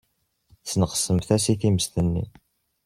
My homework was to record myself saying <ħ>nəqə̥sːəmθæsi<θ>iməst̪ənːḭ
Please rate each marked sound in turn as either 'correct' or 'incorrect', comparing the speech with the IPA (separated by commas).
incorrect, correct